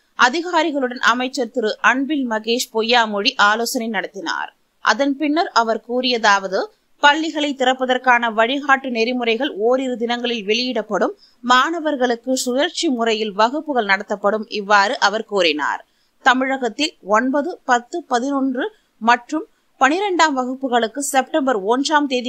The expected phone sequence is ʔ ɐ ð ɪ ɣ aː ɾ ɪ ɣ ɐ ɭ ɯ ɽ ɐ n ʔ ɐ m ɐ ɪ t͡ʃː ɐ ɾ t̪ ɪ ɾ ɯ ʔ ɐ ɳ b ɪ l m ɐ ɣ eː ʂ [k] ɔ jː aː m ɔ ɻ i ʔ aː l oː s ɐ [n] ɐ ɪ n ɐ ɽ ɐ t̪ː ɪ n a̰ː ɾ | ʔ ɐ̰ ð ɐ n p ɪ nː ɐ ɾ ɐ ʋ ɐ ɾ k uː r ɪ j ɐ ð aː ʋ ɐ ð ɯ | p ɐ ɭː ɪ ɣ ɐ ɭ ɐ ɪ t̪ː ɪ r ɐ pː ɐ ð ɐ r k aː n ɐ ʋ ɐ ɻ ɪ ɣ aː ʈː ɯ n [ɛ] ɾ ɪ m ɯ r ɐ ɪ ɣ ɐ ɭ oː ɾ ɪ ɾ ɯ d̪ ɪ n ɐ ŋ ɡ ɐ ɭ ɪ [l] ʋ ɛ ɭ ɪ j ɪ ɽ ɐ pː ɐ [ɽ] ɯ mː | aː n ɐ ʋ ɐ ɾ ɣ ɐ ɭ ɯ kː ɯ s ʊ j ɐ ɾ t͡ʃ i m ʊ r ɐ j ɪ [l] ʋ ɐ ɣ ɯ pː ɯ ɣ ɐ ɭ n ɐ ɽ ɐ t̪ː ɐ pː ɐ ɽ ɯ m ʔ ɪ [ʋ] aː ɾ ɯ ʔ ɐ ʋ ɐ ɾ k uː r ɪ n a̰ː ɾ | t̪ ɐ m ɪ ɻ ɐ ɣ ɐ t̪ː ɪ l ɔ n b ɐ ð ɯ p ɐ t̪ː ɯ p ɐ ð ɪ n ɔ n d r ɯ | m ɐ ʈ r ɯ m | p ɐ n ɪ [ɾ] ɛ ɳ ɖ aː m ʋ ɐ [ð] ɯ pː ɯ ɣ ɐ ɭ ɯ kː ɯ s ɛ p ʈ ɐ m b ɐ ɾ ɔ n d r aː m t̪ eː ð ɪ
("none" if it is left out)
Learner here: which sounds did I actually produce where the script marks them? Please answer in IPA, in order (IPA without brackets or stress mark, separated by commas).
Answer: p, n, ɛ, l, ɽ, l, ʋː, ɾ, ɣ